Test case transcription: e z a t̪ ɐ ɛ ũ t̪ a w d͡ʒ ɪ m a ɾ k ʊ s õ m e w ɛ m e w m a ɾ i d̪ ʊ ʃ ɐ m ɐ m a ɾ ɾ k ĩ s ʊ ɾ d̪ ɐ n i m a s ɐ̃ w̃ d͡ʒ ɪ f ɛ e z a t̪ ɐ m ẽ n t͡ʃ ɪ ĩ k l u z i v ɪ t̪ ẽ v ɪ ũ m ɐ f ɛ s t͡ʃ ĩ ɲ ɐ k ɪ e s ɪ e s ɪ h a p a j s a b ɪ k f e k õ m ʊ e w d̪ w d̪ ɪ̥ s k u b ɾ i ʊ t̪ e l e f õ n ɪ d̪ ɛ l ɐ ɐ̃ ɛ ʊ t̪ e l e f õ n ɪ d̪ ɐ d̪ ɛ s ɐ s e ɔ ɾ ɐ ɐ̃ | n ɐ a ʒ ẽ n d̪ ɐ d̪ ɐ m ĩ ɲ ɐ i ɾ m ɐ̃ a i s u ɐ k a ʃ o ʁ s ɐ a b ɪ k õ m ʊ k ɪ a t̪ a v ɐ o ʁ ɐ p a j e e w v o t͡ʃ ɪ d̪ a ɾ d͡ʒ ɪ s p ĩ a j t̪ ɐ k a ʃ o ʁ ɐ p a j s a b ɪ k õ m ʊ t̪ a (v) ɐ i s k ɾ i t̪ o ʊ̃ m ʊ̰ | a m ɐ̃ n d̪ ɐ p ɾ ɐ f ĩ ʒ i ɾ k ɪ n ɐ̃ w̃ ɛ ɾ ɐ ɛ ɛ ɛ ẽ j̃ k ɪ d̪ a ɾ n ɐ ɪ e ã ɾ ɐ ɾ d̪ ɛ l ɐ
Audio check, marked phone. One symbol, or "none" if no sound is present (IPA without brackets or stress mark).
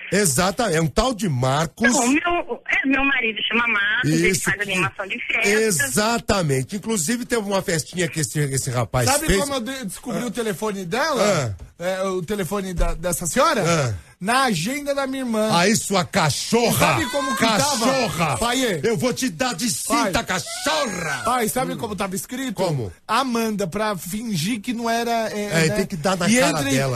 v